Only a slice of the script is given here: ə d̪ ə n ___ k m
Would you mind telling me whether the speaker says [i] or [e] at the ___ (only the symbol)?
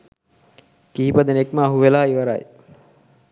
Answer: e